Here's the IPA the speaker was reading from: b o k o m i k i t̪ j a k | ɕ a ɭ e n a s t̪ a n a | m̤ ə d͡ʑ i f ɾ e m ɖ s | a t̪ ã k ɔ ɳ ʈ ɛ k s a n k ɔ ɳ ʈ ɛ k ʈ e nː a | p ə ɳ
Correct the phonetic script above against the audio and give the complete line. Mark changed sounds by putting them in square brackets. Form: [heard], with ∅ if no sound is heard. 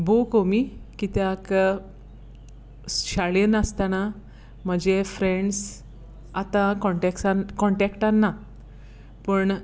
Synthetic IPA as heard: b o k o m i k i t̪ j a k | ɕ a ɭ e n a s t̪ a n a | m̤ ə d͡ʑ [e] f ɾ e [ɳ] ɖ s | a t̪ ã k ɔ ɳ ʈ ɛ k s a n k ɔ ɳ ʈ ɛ k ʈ [a] nː a | p ə ɳ